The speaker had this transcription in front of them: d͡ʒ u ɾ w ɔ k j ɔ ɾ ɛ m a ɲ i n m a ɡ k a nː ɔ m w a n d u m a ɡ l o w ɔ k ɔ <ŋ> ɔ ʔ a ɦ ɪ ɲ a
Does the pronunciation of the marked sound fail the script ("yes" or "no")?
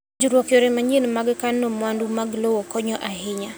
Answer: yes